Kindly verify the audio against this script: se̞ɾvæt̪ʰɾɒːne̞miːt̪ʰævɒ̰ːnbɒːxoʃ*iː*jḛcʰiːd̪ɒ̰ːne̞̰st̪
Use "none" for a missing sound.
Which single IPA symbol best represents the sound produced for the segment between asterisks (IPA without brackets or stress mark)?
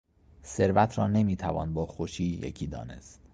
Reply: iː